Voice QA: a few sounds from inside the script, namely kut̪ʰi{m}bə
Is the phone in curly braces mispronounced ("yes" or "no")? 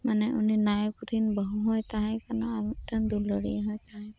yes